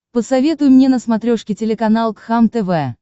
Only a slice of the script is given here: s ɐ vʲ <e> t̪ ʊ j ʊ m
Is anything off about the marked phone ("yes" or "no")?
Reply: no